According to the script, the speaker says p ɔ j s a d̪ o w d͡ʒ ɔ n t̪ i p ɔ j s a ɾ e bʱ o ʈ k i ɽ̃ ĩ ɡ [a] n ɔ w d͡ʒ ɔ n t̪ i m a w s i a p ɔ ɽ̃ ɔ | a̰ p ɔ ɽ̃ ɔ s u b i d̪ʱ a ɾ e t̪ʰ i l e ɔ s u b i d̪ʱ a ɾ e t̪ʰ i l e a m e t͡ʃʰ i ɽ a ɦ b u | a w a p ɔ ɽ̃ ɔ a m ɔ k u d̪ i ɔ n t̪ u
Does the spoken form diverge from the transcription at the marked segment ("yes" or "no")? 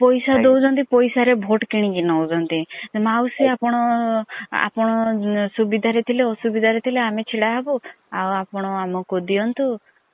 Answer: yes